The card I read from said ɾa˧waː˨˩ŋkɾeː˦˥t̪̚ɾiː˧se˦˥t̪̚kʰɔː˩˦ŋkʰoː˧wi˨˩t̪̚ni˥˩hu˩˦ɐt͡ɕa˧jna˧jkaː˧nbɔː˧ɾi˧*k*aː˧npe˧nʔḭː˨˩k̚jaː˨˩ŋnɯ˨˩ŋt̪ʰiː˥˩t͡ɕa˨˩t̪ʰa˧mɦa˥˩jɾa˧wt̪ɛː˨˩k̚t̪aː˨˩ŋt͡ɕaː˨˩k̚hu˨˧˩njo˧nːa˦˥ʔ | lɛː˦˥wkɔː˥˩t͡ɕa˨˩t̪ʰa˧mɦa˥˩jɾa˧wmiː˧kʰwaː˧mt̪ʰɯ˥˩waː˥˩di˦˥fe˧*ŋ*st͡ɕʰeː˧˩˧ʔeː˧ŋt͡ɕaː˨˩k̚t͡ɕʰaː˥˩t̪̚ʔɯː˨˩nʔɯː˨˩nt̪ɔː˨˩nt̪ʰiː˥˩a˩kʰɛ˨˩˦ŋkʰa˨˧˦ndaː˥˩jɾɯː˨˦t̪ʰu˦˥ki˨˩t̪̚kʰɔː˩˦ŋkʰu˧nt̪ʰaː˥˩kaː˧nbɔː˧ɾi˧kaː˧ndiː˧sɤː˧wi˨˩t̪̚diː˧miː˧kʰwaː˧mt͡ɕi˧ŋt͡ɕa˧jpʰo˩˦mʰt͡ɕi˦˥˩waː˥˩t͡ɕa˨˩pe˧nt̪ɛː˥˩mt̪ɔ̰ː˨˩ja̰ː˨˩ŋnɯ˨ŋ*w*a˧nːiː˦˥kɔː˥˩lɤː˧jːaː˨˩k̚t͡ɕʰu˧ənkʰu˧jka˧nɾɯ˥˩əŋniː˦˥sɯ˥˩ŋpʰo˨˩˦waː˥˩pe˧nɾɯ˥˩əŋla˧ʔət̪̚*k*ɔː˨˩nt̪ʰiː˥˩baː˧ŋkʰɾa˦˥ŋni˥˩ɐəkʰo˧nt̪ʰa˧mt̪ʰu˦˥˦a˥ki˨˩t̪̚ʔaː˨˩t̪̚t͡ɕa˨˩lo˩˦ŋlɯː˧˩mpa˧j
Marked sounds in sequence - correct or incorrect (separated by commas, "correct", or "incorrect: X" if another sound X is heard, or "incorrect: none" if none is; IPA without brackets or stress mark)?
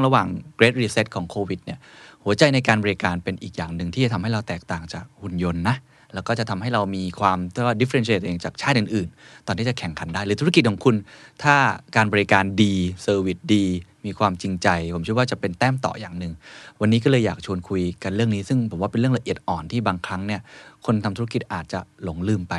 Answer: correct, incorrect: n, correct, incorrect: ʔ